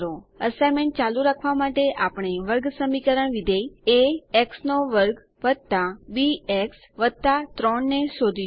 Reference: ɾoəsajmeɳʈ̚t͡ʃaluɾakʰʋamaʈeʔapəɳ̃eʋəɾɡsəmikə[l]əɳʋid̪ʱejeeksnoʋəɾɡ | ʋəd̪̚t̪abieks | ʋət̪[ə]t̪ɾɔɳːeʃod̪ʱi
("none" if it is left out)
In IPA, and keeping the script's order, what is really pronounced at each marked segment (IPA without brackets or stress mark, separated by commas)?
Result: ɾ, a